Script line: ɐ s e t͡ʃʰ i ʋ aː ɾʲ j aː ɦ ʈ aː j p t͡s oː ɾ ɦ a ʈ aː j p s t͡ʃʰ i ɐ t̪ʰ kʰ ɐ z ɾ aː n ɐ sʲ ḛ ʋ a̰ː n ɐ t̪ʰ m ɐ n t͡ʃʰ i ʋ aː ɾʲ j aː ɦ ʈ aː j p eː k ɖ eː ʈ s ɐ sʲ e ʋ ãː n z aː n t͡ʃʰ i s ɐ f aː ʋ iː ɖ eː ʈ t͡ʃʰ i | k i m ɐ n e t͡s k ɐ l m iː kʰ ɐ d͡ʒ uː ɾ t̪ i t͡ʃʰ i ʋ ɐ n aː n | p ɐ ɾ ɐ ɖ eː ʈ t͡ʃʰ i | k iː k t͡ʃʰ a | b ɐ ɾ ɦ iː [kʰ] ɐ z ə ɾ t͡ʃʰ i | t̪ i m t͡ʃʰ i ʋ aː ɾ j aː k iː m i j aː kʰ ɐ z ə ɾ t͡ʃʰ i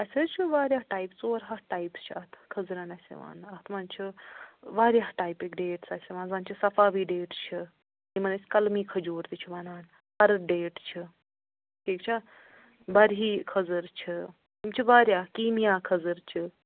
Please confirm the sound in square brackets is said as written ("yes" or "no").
yes